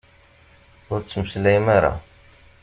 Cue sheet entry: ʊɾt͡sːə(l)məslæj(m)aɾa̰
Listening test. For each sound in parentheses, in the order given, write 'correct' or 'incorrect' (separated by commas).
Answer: incorrect, correct